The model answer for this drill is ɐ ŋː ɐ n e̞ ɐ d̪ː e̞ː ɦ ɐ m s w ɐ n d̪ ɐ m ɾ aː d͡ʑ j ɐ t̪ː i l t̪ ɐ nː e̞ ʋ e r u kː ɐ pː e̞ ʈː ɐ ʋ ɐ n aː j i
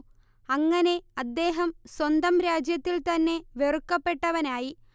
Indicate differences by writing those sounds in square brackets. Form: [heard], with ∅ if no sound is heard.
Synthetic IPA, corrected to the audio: ɐ ŋː ɐ n e̞ ɐ d̪ː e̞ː ɦ ɐ m s w ɐ n d̪ ɐ m ɾ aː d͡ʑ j ɐ t̪ː i l t̪ ɐ nː e̞ ʋ e r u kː ɐ pː e̞ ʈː ɐ ʋ ɐ n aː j i

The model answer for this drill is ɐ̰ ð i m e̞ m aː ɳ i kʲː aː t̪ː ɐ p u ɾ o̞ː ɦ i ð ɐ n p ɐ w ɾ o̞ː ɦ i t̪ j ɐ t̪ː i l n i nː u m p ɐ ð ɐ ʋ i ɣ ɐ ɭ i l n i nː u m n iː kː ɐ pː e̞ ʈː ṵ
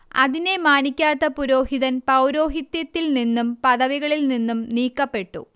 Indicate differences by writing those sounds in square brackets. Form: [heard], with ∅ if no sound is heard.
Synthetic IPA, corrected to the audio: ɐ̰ ð i [n] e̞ m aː [n] i kʲː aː t̪ː ɐ p u ɾ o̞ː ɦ i ð ɐ n p ɐ w ɾ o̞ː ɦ i t̪ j ɐ t̪ː i l n i nː u m p ɐ ð ɐ ʋ i ɣ ɐ ɭ i l n i nː u m n iː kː ɐ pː e̞ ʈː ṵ

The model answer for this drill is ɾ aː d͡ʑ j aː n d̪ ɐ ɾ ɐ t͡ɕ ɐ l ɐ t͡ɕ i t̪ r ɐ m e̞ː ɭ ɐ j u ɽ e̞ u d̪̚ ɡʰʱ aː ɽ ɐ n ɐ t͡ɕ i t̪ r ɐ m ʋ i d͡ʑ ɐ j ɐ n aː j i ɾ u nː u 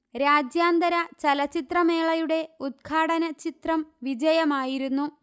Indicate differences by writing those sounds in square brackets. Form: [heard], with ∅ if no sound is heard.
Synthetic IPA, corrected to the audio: ɾ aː d͡ʑ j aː n d̪ ɐ ɾ ɐ t͡ɕ ɐ l ɐ t͡ɕ i t̪ r ɐ m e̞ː ɭ ɐ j u ɽ e̞ u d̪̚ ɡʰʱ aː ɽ ɐ n ɐ t͡ɕ i t̪ r ɐ m ʋ i d͡ʑ ɐ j ɐ [m] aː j i ɾ u nː u

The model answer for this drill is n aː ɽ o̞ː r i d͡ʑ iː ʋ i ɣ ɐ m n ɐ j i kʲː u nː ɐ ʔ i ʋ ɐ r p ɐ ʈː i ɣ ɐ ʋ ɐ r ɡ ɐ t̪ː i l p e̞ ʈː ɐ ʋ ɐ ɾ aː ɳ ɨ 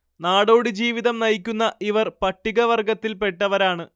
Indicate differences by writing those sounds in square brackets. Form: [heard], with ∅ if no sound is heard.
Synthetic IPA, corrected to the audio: n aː ɽ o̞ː [ɽ] i d͡ʑ iː ʋ i [ð] ɐ m n ɐ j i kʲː u nː ɐ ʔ i ʋ ɐ r p ɐ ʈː i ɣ ɐ ʋ ɐ r ɡ ɐ t̪ː i l p e̞ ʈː ɐ ʋ ɐ ɾ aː ɳ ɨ

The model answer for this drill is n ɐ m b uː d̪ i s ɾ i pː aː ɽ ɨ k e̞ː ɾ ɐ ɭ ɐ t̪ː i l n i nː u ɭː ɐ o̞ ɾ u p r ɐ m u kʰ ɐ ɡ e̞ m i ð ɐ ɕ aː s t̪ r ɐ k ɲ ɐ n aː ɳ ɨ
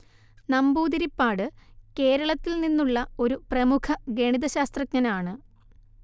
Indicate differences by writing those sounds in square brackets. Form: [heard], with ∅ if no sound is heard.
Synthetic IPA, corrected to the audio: n ɐ m b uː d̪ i [∅] ɾ i pː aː ɽ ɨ k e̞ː ɾ ɐ ɭ ɐ t̪ː i l n i nː u ɭː ɐ o̞ ɾ u p r ɐ m u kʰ ɐ ɡ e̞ [ɳ] i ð ɐ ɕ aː s t̪ r ɐ k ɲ ɐ n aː ɳ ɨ

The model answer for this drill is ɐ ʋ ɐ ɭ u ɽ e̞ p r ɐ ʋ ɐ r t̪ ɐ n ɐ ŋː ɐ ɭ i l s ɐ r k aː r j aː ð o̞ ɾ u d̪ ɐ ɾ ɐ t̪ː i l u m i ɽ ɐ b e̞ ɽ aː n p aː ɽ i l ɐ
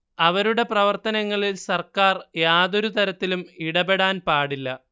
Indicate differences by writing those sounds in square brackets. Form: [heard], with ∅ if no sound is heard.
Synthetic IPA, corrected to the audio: ɐ ʋ ɐ [ɾ] u ɽ e̞ p r ɐ ʋ ɐ r t̪ ɐ n ɐ ŋː ɐ ɭ i l s ɐ r k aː r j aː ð o̞ ɾ u [t̪] ɐ ɾ ɐ t̪ː i l u m i ɽ ɐ b e̞ ɽ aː n p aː ɽ i [lː] ɐ

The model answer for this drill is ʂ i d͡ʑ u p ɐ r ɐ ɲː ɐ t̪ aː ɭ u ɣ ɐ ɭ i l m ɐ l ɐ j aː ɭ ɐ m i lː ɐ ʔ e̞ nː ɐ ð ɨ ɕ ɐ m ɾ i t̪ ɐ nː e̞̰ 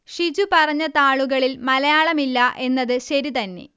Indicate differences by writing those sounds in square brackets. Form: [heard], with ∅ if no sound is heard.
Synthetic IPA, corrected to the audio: ʂ i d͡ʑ u p ɐ r ɐ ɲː ɐ t̪ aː ɭ u ɣ ɐ ɭ i l m ɐ l ɐ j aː ɭ ɐ m i lː ɐ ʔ e̞ nː ɐ ð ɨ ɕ ɐ [∅] ɾ i t̪ ɐ nː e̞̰

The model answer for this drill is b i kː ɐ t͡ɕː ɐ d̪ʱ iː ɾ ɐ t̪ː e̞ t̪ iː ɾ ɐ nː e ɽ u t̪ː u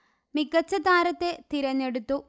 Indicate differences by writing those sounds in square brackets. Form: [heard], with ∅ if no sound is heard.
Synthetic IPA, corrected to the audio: [m] i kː ɐ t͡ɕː ɐ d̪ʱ [aː] ɾ ɐ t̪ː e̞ t̪ [i] ɾ ɐ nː e ɽ u t̪ː u

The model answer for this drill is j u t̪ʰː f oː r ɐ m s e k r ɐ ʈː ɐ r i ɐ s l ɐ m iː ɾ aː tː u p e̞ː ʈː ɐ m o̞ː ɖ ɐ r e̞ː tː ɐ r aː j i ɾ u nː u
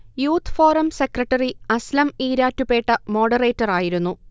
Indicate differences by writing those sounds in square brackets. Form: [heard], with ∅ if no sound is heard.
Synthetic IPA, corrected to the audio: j [uː] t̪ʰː f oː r ɐ m s e k r ɐ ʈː ɐ r i ɐ s l ɐ m iː ɾ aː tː u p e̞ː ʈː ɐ m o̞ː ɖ ɐ r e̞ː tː ɐ r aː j i ɾ u nː u

